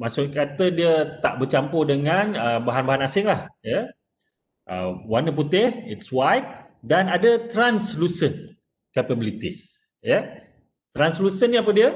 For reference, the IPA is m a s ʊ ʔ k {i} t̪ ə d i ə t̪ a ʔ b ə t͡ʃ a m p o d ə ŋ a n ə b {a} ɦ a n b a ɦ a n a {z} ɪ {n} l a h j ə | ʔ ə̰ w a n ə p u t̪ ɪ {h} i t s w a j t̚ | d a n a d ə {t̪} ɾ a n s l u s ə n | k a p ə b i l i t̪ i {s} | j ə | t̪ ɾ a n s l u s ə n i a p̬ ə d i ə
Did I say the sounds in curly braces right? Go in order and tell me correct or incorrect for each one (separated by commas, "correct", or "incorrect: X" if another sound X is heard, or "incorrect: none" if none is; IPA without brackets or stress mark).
incorrect: a, correct, incorrect: s, incorrect: ŋ, correct, correct, correct